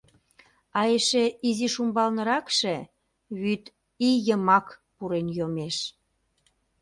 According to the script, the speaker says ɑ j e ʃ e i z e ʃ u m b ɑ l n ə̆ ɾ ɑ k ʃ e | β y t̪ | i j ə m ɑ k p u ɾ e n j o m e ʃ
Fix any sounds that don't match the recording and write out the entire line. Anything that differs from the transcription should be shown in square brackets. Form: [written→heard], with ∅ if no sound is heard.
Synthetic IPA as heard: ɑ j e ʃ e i z [e→i] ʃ u m b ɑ l n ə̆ ɾ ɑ k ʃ e | β y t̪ | i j ə m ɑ k p u ɾ e n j o m e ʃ